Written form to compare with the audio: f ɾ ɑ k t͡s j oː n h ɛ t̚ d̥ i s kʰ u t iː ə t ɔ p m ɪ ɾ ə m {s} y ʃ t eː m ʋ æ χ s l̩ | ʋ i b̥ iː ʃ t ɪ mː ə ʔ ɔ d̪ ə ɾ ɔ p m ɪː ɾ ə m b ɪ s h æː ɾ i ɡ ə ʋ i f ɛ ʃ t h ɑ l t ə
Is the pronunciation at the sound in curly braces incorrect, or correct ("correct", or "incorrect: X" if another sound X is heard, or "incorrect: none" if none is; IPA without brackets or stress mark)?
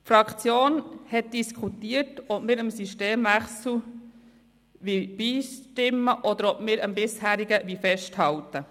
correct